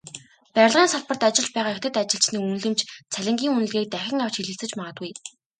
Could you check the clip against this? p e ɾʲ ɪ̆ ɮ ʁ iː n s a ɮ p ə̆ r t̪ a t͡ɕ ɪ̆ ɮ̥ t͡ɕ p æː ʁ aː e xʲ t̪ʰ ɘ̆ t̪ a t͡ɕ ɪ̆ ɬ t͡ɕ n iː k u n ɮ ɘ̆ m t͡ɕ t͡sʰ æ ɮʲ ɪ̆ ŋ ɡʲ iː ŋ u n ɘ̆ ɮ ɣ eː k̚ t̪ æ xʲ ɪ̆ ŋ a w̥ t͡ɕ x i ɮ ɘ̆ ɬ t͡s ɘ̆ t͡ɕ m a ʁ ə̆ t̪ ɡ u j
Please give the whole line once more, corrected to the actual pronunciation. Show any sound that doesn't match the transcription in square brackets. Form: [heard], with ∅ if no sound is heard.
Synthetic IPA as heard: p [æ] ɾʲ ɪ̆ ɮ ʁ iː n s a ɮ p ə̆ r t̪ a t͡ɕ ɪ̆ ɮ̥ t͡ɕ p æː ʁ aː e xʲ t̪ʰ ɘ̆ t̪ a t͡ɕ ɪ̆ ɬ t͡ɕ n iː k u n ɮ ɘ̆ m t͡ɕ t͡sʰ æ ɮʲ ɪ̆ ŋ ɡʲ iː ŋ u n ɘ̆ ɮ ɣ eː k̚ t̪ æ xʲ ɪ̆ ŋ a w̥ t͡ɕ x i ɮ ɘ̆ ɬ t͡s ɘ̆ t͡ɕ m a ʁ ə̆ t̪ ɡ u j